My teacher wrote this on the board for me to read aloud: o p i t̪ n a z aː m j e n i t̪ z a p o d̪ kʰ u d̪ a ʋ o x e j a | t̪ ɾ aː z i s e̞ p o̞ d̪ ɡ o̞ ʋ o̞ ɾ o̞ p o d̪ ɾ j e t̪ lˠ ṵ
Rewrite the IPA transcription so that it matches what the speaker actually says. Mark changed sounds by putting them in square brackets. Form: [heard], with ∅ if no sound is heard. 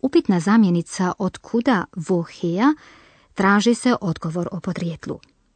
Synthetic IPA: [u] p i t̪ n a z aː m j e n i t̪ [s] a [ʔ] o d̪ kʰ u d̪ a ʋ o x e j a | t̪ ɾ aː [ʒ] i s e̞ [ʔ] o̞ d̪ ɡ o̞ ʋ o̞ ɾ o̞ p o d̪ ɾ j e t̪ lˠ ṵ